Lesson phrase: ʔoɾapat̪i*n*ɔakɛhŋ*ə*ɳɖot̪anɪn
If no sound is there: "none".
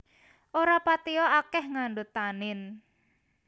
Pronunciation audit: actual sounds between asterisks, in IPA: none, a

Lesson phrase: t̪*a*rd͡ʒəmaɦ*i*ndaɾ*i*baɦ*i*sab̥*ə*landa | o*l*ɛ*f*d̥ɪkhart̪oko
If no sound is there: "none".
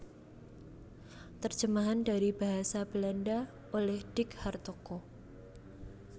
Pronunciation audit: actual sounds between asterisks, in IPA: ə, a, i, a, ə, l, h

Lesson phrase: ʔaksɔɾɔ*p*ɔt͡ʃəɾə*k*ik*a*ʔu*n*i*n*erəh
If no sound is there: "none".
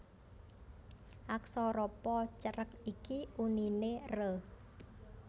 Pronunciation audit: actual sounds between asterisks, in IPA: p, k, i, n, n

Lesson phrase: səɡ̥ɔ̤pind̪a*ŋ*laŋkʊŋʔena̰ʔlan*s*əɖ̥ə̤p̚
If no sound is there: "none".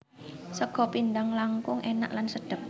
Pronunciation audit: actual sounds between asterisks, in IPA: ŋ, s

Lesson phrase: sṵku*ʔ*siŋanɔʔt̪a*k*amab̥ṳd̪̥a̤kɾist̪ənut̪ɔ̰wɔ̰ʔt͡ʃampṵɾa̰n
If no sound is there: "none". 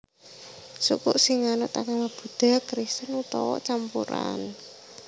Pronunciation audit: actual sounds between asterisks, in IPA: ʔ, k

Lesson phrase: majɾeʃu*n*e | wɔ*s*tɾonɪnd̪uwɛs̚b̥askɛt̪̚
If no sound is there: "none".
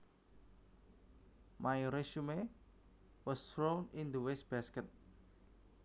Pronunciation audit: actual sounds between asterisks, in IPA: m, s

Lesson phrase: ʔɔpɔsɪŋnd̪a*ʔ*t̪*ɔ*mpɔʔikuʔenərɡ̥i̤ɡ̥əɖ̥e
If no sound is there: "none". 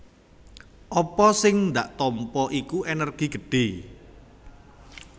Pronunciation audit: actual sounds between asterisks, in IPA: ʔ, ɔ

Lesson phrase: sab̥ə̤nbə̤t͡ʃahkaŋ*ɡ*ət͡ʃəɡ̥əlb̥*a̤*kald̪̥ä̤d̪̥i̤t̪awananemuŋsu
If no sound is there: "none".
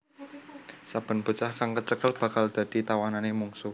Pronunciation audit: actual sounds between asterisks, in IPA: k, a̤

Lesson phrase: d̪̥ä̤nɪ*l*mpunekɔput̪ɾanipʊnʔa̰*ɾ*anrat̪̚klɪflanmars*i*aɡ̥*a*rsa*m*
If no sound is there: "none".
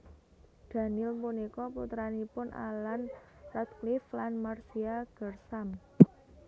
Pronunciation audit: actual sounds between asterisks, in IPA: l, l, i, ə, m

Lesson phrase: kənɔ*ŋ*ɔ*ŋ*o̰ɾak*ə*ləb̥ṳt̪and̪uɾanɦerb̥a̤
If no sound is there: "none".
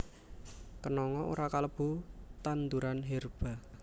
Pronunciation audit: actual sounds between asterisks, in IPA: ŋ, none, a

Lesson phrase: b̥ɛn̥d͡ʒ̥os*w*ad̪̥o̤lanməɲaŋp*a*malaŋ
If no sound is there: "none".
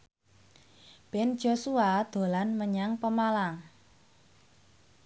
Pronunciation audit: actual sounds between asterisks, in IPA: u, ə

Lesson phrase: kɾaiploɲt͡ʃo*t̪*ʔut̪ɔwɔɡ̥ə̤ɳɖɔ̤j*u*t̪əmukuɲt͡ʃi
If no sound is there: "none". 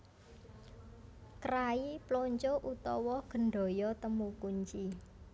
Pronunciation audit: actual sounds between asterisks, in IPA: none, ɔ

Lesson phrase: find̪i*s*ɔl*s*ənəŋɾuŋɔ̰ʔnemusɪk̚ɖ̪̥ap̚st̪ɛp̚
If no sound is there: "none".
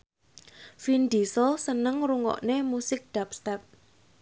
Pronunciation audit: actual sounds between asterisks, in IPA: s, s

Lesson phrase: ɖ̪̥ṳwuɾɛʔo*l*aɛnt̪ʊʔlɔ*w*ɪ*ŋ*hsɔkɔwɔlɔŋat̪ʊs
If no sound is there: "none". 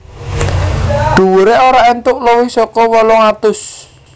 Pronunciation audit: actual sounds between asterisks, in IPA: ɾ, w, none

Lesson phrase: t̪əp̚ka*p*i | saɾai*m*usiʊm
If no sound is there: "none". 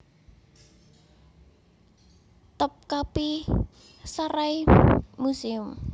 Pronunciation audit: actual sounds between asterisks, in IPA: p, m

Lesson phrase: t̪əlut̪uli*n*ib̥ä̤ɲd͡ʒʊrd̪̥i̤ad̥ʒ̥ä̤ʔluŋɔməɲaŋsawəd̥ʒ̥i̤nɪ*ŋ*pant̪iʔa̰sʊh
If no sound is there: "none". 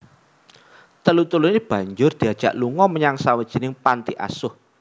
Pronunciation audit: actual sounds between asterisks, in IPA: n, ŋ

